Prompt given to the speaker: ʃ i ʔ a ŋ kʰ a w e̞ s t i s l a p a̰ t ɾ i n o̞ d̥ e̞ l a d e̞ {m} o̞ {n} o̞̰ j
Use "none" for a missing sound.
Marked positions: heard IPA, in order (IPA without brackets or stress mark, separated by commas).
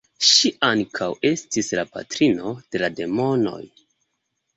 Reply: m, n